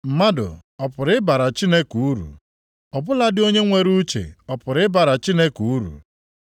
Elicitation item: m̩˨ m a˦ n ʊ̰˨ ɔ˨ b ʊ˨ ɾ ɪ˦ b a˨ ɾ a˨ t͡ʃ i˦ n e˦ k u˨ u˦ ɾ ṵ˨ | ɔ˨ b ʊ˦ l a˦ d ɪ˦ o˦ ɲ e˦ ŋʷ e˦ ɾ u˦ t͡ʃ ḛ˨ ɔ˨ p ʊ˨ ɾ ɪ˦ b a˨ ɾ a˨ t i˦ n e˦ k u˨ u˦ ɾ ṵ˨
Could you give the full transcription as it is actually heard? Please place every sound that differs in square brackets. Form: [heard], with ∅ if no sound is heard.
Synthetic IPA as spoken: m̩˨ m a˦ [d] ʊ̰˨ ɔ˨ [p] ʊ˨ ɾ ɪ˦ b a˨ ɾ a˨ t͡ʃ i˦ n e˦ k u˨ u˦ ɾ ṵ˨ | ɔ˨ b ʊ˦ l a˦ d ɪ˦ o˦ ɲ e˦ ŋʷ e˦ ɾ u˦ t͡ʃ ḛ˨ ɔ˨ p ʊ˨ ɾ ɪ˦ b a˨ ɾ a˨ [t͡ʃ] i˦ n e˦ k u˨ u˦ ɾ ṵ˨